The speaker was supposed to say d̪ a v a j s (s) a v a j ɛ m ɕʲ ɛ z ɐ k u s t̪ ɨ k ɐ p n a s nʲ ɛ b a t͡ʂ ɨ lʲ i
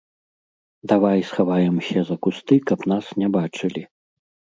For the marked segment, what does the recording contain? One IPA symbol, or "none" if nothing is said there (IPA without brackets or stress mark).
x